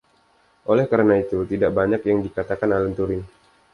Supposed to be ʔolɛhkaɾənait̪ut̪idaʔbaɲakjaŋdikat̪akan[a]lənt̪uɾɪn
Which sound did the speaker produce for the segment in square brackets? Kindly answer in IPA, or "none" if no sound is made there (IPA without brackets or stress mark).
a